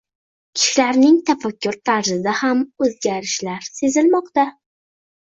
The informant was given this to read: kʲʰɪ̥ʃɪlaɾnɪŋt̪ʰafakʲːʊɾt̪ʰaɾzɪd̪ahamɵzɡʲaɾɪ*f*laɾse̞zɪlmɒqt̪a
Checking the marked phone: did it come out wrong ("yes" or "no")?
yes